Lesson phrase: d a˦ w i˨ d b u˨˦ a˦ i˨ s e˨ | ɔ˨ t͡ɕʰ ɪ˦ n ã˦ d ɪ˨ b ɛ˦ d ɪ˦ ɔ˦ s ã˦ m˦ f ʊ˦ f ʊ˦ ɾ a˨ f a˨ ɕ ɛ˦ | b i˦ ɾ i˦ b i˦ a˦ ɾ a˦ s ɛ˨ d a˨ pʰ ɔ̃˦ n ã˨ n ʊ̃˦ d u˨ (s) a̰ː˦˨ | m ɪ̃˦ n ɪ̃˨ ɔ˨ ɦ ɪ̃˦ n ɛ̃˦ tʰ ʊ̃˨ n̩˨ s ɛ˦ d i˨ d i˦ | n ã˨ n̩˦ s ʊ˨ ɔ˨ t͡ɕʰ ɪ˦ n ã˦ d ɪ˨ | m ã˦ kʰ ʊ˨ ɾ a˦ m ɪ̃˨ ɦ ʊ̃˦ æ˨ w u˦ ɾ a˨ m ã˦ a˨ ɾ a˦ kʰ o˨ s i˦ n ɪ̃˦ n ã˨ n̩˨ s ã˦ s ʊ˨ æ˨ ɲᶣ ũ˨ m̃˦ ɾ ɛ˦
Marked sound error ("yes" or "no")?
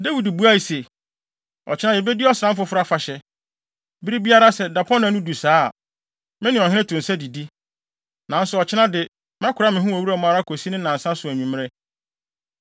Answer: no